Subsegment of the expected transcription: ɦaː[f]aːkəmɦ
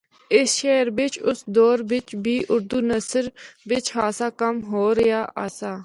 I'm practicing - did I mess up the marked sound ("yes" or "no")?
yes